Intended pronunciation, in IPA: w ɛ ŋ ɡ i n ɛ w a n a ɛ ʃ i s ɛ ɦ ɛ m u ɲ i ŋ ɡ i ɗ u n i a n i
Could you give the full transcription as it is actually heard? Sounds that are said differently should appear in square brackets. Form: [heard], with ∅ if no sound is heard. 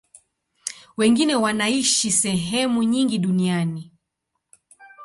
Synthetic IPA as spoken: w ɛ ŋ ɡ i n ɛ w a n a [i] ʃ i s ɛ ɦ ɛ m u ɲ i ŋ ɡ i ɗ u n i a n i